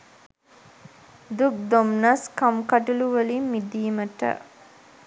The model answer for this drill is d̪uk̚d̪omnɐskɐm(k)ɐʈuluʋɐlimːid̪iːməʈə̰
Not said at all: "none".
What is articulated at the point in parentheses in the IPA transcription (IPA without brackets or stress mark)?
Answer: k